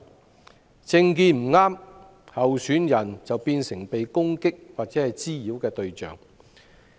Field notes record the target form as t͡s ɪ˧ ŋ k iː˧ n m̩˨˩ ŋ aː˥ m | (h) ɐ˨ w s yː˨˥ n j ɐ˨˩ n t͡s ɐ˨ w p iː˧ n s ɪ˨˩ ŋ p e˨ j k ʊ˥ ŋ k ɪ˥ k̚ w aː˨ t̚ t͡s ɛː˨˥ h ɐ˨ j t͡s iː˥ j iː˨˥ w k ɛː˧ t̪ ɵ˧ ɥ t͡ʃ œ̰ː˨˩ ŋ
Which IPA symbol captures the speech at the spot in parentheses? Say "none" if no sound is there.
h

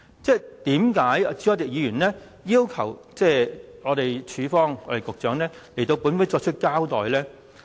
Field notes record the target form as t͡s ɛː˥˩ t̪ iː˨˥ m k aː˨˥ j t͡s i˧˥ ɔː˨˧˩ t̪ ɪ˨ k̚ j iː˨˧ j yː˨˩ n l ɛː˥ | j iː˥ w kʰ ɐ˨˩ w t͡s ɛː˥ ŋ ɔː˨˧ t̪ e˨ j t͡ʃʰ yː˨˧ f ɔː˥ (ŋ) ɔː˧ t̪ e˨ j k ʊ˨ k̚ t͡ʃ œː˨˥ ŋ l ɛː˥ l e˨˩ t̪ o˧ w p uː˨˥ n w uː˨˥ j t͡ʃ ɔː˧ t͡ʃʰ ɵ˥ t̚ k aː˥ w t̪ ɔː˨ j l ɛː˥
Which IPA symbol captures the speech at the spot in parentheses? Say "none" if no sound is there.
ŋ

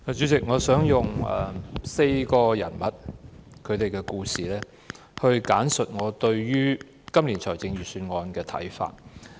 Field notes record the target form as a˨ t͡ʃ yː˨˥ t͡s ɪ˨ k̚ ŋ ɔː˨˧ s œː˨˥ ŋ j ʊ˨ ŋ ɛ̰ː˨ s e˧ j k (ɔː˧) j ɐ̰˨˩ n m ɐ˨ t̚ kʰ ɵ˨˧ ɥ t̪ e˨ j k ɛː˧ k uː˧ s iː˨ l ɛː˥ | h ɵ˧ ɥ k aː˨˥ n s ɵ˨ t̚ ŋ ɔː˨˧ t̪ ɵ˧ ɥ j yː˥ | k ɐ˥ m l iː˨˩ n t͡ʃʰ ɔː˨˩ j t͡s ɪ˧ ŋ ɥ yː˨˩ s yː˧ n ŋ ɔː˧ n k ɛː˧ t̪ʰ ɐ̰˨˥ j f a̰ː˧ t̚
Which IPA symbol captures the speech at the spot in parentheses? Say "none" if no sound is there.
ɔː˧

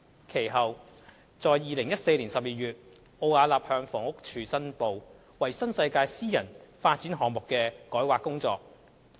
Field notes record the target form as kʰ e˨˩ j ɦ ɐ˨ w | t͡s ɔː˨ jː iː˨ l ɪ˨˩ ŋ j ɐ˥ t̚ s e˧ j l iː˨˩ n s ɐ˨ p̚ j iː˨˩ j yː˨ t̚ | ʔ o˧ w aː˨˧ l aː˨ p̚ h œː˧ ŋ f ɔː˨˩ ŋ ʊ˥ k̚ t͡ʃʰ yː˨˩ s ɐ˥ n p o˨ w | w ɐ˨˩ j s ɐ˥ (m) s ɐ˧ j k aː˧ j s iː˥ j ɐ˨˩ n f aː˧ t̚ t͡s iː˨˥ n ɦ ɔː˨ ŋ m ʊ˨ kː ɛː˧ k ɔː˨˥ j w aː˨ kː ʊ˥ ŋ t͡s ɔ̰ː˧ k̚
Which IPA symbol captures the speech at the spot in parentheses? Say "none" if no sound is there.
n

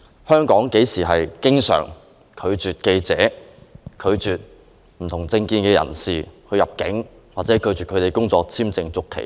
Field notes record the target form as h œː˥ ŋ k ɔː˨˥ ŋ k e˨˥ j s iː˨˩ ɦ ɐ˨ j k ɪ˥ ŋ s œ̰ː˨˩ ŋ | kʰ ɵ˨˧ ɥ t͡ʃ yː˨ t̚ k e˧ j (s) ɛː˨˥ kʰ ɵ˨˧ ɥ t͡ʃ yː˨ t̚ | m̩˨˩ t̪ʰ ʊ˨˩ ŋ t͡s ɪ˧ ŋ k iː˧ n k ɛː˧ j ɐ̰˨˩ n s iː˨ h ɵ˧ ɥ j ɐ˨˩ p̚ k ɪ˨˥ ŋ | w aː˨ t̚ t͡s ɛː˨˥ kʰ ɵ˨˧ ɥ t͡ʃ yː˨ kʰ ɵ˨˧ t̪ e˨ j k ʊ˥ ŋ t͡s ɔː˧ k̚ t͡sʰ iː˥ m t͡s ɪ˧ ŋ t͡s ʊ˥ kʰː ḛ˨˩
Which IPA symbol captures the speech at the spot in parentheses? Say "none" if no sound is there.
t͡s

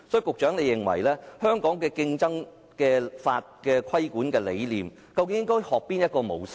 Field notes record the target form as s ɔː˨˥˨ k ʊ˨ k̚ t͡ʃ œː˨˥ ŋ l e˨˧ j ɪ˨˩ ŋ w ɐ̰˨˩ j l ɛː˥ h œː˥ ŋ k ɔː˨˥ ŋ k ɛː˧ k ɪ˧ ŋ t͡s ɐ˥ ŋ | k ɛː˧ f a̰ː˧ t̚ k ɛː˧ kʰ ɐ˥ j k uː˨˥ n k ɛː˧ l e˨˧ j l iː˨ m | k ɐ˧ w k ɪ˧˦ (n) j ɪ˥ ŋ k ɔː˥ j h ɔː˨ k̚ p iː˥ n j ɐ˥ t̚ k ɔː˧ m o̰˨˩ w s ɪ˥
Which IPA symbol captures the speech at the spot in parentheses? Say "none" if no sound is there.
ŋ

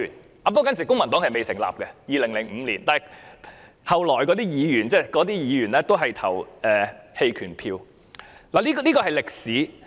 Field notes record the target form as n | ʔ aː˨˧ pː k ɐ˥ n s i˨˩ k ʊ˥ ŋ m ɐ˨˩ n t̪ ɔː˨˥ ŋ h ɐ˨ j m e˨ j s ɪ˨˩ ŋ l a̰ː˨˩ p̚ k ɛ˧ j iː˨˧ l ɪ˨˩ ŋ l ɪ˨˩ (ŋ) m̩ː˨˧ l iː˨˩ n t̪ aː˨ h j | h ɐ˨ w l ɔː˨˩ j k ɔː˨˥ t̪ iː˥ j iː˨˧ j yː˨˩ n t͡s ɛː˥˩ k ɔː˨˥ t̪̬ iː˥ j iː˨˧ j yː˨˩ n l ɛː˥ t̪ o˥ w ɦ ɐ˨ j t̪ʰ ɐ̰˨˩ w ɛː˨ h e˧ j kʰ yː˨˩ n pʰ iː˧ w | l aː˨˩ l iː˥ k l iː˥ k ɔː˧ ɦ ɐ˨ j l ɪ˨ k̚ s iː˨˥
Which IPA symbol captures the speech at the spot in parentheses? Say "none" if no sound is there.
ŋ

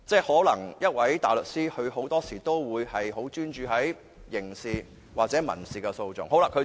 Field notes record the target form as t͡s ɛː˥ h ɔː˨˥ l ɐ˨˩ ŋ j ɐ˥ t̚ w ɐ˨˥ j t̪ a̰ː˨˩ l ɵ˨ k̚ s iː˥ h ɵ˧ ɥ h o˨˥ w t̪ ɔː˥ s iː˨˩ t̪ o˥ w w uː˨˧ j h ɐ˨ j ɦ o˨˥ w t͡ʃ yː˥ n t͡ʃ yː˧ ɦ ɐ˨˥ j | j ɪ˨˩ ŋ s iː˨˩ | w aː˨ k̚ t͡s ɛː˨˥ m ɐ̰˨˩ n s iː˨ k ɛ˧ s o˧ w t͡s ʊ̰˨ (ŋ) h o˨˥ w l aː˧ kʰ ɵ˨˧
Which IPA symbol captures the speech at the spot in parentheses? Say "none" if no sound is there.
ŋ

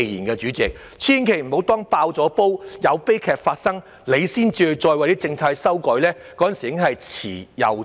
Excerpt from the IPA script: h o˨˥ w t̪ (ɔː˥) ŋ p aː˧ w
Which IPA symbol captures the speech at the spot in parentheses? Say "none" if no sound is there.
ɔː˥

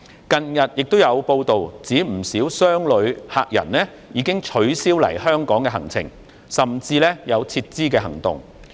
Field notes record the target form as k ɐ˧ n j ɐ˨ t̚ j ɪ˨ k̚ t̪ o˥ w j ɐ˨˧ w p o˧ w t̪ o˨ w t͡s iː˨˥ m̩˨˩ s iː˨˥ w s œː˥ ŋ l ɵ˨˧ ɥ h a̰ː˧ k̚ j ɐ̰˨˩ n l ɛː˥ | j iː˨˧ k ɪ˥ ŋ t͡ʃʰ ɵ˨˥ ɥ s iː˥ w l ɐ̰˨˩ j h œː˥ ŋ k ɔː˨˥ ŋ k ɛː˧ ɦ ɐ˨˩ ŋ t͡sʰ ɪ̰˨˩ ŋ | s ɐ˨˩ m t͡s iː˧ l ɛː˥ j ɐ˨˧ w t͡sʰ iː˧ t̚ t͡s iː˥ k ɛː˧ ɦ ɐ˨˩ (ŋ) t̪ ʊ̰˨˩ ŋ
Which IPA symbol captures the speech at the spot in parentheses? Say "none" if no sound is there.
ŋ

